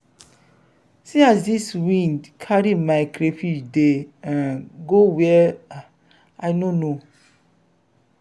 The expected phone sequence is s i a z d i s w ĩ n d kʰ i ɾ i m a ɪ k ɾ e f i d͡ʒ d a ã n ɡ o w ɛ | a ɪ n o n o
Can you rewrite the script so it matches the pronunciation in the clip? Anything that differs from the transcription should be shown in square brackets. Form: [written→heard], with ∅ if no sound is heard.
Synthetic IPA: s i a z d i s w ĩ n d kʰ [i→a] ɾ i m a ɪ k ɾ e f i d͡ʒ d [a→e] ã n ɡ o w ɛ | a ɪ n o n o